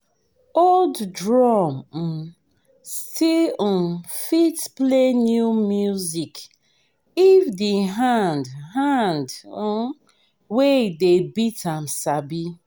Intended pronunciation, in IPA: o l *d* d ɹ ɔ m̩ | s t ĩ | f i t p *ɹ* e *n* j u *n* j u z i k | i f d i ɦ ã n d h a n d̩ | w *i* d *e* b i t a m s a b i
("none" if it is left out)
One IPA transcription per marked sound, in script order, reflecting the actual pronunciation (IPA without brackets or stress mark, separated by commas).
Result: d, l, n, m, e, e